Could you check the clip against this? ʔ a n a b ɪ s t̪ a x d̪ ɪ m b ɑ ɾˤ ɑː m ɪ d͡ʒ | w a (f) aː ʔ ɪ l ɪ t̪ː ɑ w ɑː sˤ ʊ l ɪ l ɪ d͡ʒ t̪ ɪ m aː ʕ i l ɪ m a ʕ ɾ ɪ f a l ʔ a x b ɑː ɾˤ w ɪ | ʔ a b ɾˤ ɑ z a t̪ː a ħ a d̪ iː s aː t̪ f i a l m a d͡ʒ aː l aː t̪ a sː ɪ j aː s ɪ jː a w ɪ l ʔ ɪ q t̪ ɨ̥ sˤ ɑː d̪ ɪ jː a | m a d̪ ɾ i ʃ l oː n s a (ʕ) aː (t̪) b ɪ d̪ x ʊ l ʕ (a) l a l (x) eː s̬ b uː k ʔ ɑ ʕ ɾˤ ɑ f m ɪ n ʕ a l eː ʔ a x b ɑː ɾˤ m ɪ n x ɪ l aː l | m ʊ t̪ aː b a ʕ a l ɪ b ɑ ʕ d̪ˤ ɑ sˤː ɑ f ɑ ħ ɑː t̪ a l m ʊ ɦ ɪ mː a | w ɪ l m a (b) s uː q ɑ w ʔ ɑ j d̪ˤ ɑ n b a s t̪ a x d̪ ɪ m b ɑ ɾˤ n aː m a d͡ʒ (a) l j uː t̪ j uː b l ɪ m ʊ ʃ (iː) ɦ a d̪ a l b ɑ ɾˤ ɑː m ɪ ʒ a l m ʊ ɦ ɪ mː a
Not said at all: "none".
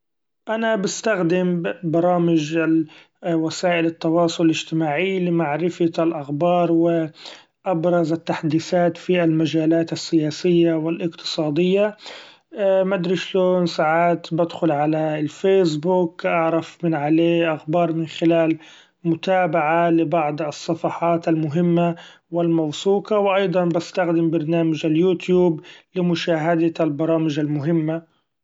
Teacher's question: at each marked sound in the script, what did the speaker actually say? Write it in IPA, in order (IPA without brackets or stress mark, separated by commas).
s, ʕ, t̪, a, f, w, a, aː